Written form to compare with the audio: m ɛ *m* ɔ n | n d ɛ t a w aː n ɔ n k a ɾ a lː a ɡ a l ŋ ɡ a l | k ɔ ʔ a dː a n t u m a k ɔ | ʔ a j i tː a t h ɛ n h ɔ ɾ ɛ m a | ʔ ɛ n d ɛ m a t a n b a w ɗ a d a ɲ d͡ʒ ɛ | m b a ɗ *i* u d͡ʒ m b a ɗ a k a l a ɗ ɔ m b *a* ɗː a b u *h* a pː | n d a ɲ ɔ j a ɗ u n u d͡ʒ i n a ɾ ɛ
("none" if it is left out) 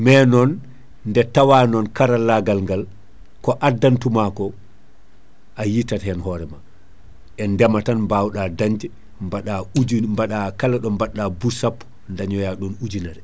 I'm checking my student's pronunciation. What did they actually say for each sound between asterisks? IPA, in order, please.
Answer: n, a, a, s

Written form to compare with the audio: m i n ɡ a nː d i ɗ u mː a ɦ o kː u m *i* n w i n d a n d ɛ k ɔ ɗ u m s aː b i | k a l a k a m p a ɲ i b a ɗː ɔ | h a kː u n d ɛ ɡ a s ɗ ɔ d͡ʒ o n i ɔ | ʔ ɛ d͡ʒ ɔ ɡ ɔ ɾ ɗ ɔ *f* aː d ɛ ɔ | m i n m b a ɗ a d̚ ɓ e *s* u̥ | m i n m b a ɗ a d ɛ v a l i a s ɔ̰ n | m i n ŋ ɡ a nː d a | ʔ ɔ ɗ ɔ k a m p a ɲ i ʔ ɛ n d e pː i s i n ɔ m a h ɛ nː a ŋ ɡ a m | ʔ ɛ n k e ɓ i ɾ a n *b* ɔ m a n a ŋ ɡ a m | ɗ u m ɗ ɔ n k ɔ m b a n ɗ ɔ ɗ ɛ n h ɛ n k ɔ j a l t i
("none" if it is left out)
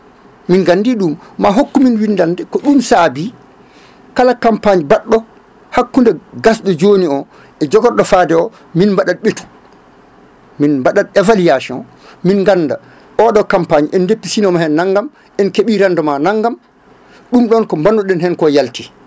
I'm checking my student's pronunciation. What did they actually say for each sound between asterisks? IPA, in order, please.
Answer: i, f, t, d

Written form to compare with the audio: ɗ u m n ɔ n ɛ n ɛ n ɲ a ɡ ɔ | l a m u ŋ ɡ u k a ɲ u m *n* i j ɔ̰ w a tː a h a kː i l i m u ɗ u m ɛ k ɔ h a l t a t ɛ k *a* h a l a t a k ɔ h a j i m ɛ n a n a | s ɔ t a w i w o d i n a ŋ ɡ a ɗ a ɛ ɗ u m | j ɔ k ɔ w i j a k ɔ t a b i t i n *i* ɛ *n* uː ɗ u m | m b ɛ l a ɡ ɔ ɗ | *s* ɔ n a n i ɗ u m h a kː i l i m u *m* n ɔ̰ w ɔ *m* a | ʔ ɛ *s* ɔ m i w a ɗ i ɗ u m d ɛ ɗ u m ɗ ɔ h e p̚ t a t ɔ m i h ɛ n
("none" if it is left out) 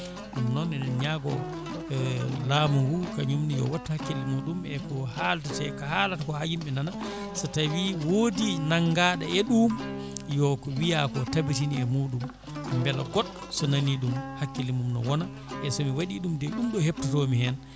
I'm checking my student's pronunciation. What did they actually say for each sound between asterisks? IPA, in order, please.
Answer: n, a, i, m, s, m, n, s

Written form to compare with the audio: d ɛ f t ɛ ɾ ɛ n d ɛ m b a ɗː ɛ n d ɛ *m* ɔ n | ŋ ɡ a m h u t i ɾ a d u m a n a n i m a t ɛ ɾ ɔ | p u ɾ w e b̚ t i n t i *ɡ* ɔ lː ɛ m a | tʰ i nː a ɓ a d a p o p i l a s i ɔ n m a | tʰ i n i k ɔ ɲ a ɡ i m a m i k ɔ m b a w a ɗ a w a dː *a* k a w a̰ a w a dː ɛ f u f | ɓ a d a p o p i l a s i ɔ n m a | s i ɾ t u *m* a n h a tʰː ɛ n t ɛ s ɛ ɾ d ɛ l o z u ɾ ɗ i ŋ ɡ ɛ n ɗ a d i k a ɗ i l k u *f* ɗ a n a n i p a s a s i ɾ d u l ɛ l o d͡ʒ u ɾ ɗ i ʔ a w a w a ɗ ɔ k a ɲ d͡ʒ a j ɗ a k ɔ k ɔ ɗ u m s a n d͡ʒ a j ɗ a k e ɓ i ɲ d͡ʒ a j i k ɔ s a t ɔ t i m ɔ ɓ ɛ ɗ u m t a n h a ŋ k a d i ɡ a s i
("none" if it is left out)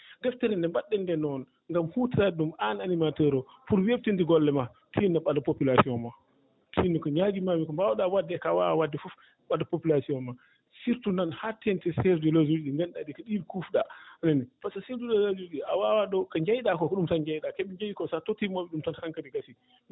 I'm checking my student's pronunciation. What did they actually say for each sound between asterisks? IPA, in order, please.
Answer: n, ɡ, ɛ, n, f

